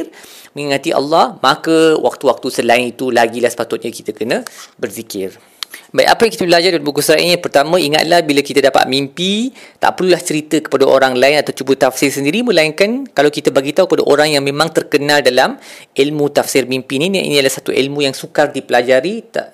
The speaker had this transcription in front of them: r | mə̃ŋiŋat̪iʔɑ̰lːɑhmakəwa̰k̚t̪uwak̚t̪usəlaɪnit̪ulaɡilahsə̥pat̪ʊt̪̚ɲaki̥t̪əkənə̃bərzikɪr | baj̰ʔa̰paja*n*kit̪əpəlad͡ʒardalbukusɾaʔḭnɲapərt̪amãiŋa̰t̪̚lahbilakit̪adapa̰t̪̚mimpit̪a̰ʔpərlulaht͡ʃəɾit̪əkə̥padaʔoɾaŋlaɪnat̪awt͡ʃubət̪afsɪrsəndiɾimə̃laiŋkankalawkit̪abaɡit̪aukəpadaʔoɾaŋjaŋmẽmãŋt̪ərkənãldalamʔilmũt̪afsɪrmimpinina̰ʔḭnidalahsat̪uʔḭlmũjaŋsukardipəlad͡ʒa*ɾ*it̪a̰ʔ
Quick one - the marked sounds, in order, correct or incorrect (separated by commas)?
incorrect, correct